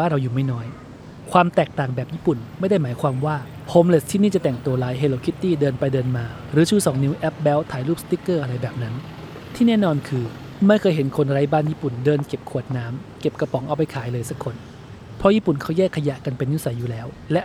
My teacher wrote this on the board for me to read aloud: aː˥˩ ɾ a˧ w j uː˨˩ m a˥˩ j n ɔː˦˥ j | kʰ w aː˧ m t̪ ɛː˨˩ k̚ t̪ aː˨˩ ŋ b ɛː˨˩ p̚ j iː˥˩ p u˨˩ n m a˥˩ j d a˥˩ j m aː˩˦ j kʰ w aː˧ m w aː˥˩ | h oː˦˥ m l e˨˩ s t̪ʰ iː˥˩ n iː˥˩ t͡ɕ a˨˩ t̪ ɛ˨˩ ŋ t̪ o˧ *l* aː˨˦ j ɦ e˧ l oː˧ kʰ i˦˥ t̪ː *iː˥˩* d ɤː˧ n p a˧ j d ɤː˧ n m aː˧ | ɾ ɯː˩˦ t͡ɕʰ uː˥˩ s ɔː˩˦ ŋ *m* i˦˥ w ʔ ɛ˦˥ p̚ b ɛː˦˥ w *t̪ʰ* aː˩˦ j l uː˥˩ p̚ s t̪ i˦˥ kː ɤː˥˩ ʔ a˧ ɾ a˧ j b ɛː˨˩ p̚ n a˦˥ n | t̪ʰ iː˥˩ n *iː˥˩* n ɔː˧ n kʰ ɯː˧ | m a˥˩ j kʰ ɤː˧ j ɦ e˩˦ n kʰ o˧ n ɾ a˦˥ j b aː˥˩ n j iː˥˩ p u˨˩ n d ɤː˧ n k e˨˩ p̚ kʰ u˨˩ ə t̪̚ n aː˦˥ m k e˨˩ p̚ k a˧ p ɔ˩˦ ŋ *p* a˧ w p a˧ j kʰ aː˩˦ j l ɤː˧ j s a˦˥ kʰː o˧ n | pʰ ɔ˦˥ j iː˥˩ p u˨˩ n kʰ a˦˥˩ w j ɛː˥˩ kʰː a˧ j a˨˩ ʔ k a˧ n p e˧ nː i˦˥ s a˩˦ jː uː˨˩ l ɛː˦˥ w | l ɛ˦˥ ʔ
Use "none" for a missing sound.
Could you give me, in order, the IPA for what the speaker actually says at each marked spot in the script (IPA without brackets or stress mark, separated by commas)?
l, iː˥˩, n, t̪ʰ, ɛː˥˩, ʔ